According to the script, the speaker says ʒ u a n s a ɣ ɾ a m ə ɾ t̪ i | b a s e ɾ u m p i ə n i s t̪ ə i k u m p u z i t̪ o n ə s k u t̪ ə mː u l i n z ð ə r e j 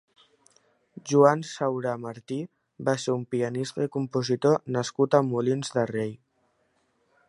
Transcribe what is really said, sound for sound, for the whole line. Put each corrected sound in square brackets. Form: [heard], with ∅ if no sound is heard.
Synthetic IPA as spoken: ʒ u a n s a [w] ɾ a m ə ɾ t̪ i | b a s e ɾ u m p i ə n i s t̪ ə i k u m p u z i t̪ o n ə s k u t̪ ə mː u l i n z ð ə r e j